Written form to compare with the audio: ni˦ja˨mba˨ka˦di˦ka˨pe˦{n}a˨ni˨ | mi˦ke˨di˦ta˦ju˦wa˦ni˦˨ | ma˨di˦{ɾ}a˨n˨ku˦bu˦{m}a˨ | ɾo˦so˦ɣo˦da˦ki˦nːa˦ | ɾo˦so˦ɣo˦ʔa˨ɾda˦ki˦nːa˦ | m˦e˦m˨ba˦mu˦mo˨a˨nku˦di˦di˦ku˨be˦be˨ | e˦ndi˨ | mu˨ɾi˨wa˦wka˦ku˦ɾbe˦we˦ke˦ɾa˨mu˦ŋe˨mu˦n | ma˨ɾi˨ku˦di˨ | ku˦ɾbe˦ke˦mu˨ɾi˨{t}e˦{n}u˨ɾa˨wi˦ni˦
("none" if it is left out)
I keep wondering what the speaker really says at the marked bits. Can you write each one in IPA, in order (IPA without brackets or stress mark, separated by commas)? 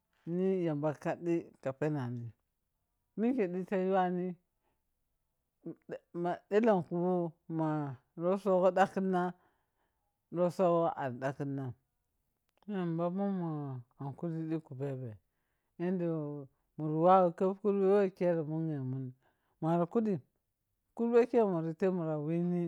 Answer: n, l, m, t, m